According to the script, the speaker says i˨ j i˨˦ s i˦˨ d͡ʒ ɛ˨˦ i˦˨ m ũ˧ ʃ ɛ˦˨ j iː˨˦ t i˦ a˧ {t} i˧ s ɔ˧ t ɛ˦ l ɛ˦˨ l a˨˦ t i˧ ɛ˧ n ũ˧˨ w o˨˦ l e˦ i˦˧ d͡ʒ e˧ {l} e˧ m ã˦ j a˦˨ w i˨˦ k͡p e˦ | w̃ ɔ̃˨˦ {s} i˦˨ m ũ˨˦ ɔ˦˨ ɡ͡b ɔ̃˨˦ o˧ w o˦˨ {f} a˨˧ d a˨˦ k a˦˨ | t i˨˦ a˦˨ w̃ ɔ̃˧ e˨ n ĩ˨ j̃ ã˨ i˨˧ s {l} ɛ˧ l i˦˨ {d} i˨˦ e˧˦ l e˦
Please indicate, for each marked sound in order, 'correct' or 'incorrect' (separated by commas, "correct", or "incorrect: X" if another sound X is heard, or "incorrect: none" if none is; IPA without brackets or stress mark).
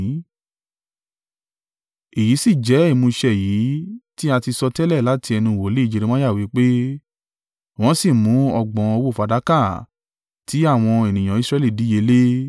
correct, incorrect: ɾ, correct, correct, incorrect: ɾ, correct